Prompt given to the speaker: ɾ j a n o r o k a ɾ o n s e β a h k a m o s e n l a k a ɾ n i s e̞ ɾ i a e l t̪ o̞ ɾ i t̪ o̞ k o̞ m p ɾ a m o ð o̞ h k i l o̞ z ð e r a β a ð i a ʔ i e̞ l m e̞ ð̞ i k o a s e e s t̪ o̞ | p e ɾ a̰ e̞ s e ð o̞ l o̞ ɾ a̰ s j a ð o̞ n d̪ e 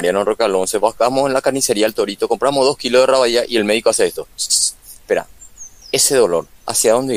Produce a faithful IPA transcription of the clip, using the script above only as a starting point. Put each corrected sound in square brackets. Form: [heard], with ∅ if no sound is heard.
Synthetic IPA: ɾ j a n o r o k a [l] o n s e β a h k a m o s e n l a k a ɾ n i s e̞ ɾ i a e l t̪ o̞ ɾ i t̪ o̞ k o̞ m p ɾ a m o ð o̞ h k i l o̞ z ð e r a β a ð i a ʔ i e̞ l m e̞ ð̞ i k o a s e e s t̪ o̞ | p e ɾ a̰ e̞ s e ð o̞ l o̞ ɾ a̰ s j a ð o̞ n d̪ e